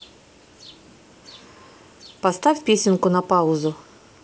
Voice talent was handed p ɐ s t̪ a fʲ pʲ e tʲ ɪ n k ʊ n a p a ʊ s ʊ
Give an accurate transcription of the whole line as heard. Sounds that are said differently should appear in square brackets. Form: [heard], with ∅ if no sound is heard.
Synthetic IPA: p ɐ s t̪ a fʲ pʲ e [sʲ] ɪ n k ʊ n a p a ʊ [z] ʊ